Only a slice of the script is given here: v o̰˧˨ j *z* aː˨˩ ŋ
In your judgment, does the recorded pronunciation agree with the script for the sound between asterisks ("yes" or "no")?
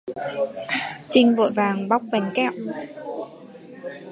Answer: no